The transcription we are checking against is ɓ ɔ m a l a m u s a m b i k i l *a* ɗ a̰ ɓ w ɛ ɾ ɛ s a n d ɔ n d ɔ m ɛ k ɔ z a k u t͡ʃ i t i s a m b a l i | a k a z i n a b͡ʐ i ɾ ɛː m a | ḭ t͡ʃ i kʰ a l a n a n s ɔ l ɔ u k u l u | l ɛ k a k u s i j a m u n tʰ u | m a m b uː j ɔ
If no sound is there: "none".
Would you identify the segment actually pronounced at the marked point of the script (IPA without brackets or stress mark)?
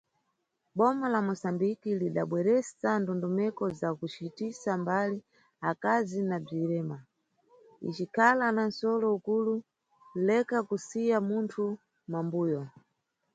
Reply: i